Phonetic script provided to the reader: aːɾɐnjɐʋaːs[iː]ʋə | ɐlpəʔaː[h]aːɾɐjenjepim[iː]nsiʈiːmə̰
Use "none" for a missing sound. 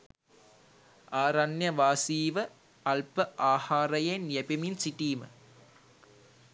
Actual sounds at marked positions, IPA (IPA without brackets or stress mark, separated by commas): iː, h, i